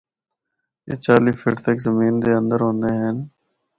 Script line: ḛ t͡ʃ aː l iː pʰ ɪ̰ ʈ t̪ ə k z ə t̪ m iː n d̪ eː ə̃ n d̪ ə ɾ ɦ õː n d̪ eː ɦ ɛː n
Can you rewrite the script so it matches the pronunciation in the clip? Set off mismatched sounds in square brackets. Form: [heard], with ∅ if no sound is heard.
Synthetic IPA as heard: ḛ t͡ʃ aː l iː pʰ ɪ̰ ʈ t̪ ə k z ə [∅] m iː n d̪ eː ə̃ n d̪ ə ɾ ɦ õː n d̪ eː ɦ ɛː n